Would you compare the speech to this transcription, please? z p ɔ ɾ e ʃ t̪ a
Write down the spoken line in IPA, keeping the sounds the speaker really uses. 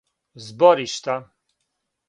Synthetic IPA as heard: z b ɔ ɾ i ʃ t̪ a